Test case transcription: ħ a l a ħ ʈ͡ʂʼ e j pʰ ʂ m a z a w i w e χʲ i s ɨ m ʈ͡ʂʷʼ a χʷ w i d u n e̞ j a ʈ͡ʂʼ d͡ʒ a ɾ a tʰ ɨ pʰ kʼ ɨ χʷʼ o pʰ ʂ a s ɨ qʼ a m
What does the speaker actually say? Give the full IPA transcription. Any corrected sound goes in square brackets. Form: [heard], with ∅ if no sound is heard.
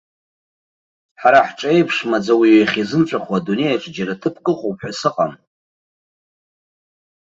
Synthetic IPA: ħ a [ɾ] a ħ ʈ͡ʂʼ e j pʰ ʂ m a [d͡z] a w i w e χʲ i [z] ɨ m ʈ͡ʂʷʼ a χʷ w [a] d u n e̞ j a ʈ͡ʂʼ d͡ʒ a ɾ a tʰ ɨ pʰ kʼ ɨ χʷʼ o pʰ [ħ] a s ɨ qʼ a m